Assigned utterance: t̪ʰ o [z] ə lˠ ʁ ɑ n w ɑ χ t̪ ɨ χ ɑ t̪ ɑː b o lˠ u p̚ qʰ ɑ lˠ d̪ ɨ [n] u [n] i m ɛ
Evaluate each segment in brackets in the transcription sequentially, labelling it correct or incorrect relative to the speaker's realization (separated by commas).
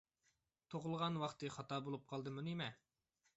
incorrect, incorrect, correct